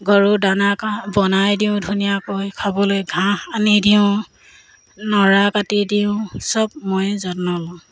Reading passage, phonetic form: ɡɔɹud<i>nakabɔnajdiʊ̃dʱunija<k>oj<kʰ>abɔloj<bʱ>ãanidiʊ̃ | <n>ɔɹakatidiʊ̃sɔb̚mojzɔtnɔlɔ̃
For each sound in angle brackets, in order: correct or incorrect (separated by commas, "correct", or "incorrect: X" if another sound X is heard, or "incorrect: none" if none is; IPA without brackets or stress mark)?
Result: incorrect: a, correct, correct, incorrect: ɡʱ, correct